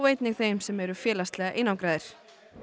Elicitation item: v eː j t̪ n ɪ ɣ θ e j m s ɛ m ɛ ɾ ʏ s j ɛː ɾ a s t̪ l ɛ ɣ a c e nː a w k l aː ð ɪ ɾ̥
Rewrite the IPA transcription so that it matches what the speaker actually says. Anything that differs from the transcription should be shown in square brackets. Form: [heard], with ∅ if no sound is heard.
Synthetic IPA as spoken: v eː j t̪ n ɪ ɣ θ e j m s ɛ m ɛ ɾ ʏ [f] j ɛː [l] a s t̪ l ɛ ɣ a [ʔ] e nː a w k [ɾ] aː ð ɪ ɾ̥